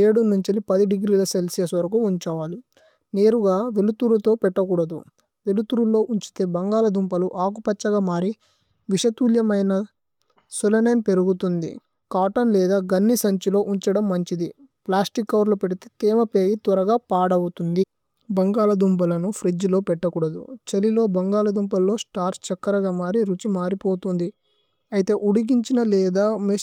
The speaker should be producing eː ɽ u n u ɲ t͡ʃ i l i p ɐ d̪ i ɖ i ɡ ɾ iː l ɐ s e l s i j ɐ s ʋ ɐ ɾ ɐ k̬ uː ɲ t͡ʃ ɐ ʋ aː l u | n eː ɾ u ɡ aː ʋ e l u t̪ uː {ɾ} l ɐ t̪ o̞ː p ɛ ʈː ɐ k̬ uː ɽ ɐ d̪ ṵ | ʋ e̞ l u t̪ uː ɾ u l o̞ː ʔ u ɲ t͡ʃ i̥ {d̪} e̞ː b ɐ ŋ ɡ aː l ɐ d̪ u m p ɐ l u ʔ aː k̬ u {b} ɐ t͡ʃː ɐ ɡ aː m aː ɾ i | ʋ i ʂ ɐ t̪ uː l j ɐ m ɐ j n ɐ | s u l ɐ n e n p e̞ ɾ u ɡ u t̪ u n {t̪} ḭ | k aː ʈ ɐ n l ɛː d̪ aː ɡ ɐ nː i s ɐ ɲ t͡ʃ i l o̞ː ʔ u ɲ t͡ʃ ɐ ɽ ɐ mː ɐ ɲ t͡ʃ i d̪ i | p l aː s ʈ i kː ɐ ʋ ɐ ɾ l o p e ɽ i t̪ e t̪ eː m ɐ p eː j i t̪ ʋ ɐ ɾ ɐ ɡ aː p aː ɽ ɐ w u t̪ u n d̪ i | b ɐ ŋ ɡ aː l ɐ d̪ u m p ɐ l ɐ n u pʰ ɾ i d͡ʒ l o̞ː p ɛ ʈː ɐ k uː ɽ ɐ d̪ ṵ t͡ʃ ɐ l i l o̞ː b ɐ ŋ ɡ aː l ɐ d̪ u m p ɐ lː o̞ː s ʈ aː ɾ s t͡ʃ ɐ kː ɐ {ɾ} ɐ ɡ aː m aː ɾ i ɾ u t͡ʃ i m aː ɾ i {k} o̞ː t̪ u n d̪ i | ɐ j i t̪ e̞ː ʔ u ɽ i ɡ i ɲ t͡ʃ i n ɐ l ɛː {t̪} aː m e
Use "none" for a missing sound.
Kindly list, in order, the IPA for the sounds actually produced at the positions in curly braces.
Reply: ɾ, t̪, p, d̪, ɾ, p, d̪

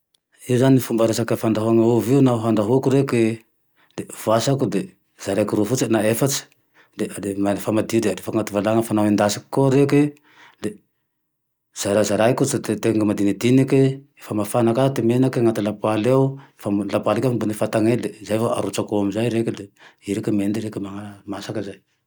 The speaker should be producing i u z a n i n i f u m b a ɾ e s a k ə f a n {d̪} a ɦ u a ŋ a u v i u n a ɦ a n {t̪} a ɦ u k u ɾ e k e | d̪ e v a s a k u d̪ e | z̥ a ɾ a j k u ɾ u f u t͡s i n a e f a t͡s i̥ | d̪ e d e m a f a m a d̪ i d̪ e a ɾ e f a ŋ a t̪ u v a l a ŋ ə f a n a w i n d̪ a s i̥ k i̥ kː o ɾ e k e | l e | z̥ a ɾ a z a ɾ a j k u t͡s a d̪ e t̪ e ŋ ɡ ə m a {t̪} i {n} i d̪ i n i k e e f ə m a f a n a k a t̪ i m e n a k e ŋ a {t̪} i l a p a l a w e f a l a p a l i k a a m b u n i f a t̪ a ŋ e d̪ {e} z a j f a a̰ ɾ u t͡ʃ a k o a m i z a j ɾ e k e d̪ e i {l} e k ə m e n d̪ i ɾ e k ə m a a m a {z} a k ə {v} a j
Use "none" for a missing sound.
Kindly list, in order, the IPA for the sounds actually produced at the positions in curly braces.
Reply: d̪, d̪, d̪, n, t̪, e, ɾ, s, z

